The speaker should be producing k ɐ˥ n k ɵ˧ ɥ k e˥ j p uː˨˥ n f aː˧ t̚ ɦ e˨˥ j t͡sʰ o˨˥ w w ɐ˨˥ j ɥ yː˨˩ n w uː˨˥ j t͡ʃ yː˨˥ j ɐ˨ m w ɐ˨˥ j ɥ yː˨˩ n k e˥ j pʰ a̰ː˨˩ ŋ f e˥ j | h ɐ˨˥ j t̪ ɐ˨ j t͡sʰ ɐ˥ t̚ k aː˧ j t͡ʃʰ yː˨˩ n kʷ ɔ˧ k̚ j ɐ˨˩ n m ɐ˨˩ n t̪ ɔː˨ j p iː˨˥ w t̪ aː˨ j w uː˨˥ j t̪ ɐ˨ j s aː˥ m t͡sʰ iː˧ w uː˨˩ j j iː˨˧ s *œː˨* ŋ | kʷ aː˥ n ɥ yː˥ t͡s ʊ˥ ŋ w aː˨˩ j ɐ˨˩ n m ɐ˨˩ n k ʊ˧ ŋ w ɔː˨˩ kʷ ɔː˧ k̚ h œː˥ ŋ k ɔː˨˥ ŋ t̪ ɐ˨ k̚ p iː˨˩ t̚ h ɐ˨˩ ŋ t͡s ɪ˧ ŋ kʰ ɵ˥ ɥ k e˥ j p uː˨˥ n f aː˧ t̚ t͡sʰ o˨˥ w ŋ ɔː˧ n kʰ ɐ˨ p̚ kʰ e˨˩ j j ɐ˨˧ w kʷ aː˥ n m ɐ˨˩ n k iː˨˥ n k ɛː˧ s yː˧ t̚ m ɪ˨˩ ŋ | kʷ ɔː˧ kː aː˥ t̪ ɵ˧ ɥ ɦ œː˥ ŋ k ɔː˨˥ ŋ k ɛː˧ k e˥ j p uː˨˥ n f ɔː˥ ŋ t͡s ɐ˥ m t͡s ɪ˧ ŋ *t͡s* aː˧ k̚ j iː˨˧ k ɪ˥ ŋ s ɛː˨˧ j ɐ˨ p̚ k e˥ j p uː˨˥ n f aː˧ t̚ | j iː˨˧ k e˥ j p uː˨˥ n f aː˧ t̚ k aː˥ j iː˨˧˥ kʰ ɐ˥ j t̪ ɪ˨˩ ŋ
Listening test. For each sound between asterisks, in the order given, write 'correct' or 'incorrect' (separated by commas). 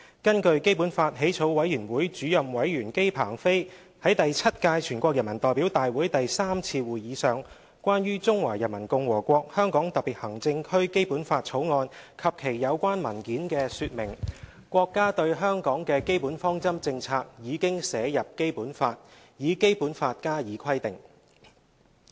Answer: correct, incorrect